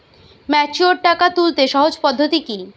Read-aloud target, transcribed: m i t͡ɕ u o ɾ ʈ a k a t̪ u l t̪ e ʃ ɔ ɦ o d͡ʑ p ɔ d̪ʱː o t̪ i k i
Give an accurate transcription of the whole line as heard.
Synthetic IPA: m ɛ t͡ɕ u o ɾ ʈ a k a t̪ u l t̪ e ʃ ɔ ɦ o d͡ʑ p ɔ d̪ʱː o t̪ i k i